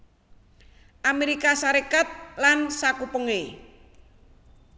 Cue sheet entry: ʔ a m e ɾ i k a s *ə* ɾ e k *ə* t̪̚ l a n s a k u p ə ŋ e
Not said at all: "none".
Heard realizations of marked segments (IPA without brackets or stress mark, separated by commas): a, a